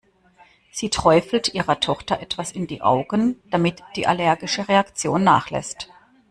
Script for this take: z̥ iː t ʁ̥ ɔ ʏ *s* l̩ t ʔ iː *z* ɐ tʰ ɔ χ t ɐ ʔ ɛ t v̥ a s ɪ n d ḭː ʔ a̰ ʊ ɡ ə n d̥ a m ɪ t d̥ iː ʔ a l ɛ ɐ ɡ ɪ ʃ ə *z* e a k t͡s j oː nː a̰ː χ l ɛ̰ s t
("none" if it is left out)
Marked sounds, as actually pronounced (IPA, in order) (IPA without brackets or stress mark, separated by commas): f, ʁ, ʁ